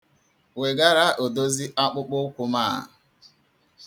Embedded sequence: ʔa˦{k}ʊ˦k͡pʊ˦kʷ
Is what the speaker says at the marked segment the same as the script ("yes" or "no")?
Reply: no